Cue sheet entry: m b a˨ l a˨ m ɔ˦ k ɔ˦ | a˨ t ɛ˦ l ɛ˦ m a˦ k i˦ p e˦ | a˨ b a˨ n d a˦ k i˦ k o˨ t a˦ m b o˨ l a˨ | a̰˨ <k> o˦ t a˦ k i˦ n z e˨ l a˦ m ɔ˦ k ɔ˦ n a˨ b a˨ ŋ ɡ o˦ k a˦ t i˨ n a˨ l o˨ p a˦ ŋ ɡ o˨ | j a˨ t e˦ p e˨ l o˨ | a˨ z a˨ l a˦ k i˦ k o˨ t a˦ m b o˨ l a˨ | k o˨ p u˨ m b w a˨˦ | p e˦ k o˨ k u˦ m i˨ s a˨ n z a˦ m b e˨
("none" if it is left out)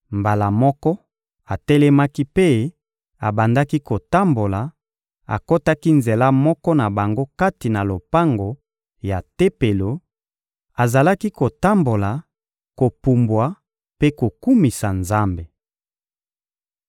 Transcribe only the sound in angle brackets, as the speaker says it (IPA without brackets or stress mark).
k